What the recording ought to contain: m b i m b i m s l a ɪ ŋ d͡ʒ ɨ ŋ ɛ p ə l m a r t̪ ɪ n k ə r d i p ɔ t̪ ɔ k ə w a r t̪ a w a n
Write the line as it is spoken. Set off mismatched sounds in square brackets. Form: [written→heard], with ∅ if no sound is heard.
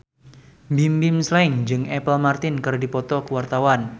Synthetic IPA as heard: m b i m b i m s l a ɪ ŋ d͡ʒ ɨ ŋ ɛ p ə l m a r t̪ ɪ n k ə r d i p ɔ t̪ ɔ k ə w a r t̪ a w a n